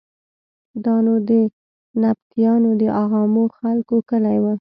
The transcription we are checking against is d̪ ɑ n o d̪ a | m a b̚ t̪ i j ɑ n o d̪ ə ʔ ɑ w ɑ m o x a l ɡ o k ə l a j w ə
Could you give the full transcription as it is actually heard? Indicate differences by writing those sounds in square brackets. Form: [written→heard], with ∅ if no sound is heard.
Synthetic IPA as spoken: d̪ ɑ n o d̪ [a→ə] | [m→n] a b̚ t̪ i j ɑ n o d̪ ə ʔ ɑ [w→ɣ] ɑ m o x a l [ɡ→k] o k ə l a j w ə